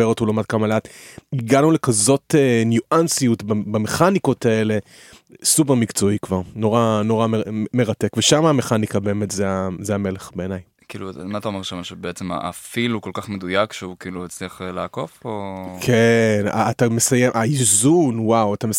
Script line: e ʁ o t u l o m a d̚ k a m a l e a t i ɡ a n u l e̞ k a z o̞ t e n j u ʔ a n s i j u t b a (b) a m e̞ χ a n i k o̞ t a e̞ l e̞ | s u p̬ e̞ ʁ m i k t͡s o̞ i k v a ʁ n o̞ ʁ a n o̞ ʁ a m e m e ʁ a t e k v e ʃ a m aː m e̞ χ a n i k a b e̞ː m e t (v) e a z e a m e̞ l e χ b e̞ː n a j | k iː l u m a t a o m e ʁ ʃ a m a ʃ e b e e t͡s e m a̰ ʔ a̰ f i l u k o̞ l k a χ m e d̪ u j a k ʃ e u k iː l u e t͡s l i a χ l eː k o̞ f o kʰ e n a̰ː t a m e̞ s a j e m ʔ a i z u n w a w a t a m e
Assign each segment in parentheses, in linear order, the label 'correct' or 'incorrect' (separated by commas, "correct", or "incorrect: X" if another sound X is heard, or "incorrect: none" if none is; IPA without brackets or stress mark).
correct, incorrect: z